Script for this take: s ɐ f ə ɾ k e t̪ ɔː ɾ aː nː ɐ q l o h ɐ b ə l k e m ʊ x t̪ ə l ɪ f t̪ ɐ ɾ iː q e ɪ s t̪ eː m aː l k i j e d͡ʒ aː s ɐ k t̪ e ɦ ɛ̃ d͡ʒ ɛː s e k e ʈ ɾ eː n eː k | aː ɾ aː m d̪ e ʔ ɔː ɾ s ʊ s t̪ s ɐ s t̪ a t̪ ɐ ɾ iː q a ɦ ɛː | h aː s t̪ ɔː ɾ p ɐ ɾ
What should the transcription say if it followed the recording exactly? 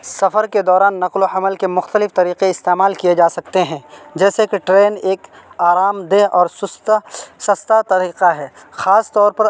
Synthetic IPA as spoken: s ɐ f ə ɾ k e d̪ ɔː ɾ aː nː ɐ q l o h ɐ m ə l k e m ʊ x t̪ ə l ɪ f t̪ ɐ ɾ iː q e ɪ s t̪ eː m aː l k i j e d͡ʒ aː s ɐ k t̪ e ɦ ɛ̃ d͡ʒ ɛː s e k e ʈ ɾ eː n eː k | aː ɾ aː m d̪ e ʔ ɔː ɾ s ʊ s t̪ s ɐ s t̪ a t̪ ɐ ɾ iː q a ɦ ɛː | x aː s t̪ ɔː ɾ p ɐ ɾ

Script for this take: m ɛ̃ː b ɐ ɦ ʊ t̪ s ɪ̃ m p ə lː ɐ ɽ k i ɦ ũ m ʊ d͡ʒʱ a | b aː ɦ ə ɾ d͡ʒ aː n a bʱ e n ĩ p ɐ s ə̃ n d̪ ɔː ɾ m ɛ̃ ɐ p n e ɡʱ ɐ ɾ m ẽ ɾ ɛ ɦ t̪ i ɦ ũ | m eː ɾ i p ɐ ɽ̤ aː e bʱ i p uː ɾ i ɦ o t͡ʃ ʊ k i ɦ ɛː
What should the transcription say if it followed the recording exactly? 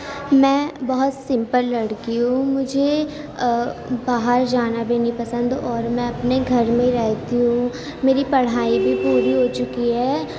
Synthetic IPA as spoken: m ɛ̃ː b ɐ ɦ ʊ t̪ s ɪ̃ m p ə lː ɐ ɽ k i ɦ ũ m ʊ d͡ʒʱ e | b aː ɦ ə ɾ d͡ʒ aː n a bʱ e n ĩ p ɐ s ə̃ n d̪ ɔː ɾ m ɛ̃ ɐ p n e ɡʱ ɐ ɾ m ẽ ɾ ɛ ɦ t̪ i ɦ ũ | m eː ɾ i p ɐ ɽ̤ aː i bʱ i p uː ɾ i ɦ o t͡ʃ ʊ k i ɦ ɛː

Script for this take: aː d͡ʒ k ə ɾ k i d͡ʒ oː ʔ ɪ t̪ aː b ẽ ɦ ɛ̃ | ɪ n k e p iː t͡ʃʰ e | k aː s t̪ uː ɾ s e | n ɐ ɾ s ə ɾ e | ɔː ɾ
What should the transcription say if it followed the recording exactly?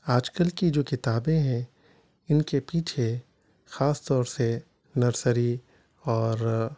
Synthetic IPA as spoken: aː d͡ʒ k ə l k i d͡ʒ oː k ɪ t̪ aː b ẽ ɦ ɛ̃ | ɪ n k e p iː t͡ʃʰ e | x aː s t̪ ɔː ɾ s e | n ɐ ɾ s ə ɾ i | ɔː ɾ

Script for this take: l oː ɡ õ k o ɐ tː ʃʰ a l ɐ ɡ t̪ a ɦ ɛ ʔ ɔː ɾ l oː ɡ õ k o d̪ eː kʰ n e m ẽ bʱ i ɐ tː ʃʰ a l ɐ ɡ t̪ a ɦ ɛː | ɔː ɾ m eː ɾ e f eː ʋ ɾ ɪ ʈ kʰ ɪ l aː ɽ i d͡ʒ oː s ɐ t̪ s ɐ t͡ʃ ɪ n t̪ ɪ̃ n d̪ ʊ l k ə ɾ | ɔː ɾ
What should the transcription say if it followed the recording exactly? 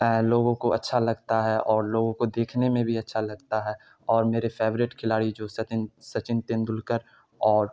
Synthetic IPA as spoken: l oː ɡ õ k o ɐ tː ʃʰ a l ɐ ɡ t̪ a ɦ ɛ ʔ ɔː ɾ l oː ɡ õ k o d̪ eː kʰ n e m ẽ bʱ i ɐ tː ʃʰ a l ɐ ɡ t̪ a ɦ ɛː | ɔː ɾ m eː ɾ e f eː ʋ ɾ ɪ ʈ kʰ ɪ l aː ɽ i d͡ʒ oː s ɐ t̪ s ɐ t͡ʃ ɪ n t̪ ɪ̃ n d̪ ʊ l k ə ɾ | ɔː ɾ

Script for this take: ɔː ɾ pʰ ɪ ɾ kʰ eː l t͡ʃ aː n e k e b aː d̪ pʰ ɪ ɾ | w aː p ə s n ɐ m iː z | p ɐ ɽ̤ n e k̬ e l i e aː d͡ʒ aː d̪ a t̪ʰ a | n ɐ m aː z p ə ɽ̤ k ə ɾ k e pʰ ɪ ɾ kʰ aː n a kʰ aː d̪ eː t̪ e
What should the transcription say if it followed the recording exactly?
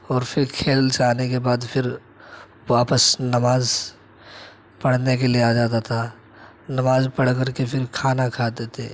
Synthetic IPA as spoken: ɔː ɾ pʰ ɪ ɾ kʰ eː l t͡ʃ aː n e k e b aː d̪ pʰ ɪ ɾ | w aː p ə s n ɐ m aː z | p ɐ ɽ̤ n e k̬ e l i e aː d͡ʒ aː t̪ a t̪ʰ a | n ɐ m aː z p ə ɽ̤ k ə ɾ k e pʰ ɪ ɾ kʰ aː n a kʰ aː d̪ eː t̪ e

